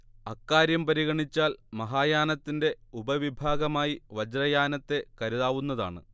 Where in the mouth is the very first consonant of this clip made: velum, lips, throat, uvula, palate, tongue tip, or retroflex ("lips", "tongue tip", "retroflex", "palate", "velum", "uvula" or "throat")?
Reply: velum